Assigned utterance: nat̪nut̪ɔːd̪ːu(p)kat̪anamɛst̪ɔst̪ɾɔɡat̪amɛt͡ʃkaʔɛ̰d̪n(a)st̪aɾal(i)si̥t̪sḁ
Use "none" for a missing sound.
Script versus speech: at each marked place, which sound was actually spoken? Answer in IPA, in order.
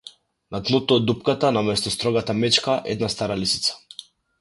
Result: p, a, i

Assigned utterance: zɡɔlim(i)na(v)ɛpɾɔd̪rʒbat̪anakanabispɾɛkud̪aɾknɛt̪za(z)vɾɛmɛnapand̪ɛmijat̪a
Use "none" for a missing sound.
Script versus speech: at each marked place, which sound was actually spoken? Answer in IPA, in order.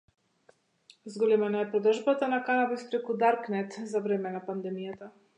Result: ɛ, none, none

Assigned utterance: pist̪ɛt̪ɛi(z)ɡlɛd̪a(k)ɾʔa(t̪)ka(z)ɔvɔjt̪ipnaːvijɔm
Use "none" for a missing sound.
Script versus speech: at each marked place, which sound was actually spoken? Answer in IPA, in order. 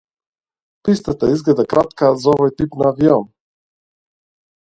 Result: z, k, t̪, z

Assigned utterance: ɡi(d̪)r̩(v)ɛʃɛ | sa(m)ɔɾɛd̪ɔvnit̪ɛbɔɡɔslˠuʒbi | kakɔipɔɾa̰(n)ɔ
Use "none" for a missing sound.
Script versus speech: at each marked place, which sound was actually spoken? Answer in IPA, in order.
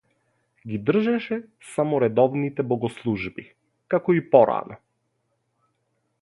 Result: d̪, ʒ, m, n

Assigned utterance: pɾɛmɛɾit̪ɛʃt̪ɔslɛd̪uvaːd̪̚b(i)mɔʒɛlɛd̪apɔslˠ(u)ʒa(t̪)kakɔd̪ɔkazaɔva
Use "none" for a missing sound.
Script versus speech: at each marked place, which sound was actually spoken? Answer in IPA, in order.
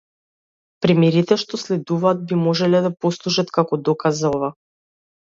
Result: i, u, t̪

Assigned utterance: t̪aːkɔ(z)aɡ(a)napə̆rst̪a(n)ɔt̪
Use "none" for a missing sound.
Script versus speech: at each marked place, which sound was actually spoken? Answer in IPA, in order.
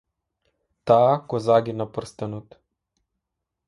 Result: z, i, n

